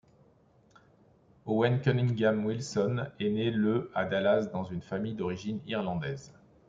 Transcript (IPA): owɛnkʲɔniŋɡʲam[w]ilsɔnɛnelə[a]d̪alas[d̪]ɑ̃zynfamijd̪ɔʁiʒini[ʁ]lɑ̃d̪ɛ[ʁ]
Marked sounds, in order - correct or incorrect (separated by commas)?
correct, correct, correct, correct, incorrect